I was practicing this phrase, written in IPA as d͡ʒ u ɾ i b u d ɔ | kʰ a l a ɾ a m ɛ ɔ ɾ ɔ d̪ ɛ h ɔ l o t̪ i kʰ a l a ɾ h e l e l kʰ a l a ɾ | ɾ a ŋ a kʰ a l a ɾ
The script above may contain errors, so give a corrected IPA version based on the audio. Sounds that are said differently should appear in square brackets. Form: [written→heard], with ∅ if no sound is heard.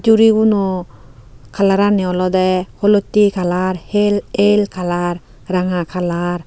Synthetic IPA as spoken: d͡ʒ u ɾ i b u [d→n] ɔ | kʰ a l a ɾ a [m→n] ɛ ɔ [ɾ→l] ɔ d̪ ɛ h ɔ l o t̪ i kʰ a l a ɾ h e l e l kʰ a l a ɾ | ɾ a ŋ a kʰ a l a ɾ